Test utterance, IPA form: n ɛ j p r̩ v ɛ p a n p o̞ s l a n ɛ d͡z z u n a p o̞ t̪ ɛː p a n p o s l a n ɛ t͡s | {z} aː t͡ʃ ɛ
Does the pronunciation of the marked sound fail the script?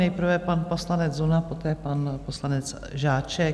yes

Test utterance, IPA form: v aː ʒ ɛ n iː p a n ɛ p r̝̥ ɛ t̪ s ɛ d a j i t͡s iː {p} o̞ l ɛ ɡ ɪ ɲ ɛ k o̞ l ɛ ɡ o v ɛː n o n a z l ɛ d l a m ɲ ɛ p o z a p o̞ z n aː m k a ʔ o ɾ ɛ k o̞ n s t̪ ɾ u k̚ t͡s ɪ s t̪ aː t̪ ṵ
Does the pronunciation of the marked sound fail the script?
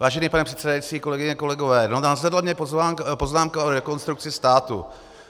yes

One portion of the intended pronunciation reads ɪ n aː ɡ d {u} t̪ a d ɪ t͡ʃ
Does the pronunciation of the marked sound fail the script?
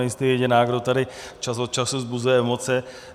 yes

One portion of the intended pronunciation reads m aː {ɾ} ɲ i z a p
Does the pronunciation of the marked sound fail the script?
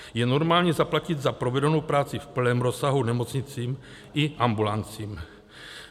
yes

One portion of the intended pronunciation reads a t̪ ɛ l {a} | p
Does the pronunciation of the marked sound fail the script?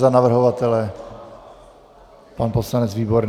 yes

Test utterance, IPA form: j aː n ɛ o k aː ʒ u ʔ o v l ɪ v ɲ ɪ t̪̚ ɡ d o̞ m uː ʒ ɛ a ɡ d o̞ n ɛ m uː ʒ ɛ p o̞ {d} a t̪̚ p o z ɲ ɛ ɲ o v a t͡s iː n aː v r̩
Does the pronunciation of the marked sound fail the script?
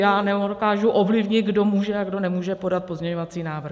no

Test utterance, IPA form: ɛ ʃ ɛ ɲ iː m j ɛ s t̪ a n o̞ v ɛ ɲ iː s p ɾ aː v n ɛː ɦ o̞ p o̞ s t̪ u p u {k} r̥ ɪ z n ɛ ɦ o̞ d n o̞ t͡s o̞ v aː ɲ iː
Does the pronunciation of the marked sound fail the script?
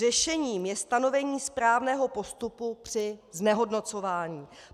yes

